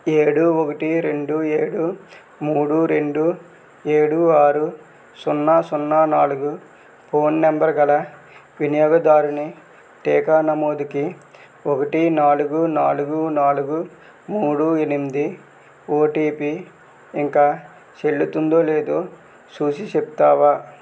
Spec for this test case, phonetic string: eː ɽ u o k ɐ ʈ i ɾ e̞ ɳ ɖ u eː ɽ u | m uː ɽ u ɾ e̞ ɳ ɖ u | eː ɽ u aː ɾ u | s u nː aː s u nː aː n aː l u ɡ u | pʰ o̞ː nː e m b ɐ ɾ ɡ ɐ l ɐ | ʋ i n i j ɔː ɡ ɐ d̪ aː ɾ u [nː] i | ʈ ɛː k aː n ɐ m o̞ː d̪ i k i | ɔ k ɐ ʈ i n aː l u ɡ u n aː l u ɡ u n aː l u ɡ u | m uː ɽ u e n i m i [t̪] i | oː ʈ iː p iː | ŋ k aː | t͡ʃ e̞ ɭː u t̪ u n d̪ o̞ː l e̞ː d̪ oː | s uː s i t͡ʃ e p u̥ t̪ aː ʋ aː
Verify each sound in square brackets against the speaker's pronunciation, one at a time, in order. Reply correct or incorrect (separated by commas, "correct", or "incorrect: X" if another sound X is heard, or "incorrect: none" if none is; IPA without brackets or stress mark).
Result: incorrect: n, incorrect: d̪